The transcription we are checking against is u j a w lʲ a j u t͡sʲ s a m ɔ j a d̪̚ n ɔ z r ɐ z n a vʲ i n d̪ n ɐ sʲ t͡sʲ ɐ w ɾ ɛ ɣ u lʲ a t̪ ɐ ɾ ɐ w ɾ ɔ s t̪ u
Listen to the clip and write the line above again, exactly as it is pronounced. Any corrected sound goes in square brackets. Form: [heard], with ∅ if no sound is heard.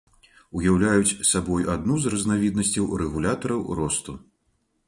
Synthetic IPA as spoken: u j a w lʲ a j u t͡sʲ s a [b] ɔ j a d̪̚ n [u] z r ɐ z n a vʲ i [∅] d̪ n ɐ sʲ t͡sʲ ɐ w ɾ ɛ ɣ u lʲ a t̪ ɐ ɾ ɐ w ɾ ɔ s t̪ u